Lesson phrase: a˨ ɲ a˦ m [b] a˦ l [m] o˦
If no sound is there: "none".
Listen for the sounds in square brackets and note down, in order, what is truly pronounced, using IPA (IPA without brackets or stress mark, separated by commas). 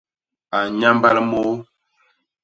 b, m